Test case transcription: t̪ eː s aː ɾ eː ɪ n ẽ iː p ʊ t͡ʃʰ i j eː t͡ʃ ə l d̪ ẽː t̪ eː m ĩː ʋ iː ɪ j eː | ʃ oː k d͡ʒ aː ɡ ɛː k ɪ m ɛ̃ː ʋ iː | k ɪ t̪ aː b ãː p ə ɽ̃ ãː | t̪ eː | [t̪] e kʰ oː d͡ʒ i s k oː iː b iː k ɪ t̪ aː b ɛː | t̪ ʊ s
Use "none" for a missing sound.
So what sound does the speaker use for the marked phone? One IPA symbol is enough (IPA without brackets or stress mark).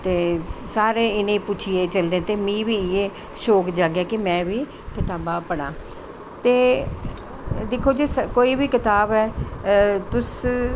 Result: d̪